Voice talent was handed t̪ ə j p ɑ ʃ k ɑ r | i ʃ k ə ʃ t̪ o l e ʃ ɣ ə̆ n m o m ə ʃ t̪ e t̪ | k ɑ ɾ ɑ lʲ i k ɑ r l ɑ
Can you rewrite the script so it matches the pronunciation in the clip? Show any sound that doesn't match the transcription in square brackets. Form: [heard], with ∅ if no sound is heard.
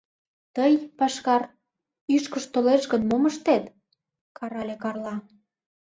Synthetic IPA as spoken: t̪ ə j p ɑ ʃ k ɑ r | [y] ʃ k ə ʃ t̪ o l e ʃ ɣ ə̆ n m o m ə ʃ t̪ e t̪ | k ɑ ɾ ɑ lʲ [e] k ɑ r l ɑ